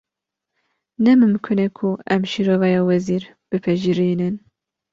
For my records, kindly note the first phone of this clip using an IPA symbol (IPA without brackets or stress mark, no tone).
n